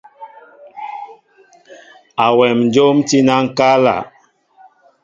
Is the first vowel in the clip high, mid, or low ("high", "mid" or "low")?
low